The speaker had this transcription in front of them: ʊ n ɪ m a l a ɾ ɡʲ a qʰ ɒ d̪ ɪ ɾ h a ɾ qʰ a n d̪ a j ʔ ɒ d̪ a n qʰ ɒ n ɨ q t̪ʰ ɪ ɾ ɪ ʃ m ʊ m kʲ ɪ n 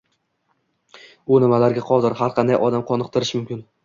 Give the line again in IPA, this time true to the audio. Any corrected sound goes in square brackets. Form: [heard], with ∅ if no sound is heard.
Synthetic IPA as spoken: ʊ n ɪ m a l a ɾ ɡʲ a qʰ ɒ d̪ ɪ ɾ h a ɾ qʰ [ɑ] n d̪ a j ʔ ɒ d̪ a [m] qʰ ɒ n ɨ q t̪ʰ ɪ ɾ ɪ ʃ m ʊ m kʲ ɪ n